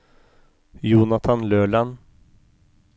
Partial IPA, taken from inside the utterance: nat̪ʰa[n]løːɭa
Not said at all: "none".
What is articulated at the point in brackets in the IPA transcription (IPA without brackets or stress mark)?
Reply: n